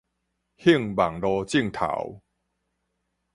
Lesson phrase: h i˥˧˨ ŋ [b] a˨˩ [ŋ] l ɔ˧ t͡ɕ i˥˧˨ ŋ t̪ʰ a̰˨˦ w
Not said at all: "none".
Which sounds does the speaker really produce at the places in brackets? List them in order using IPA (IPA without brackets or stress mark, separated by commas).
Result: b, ŋ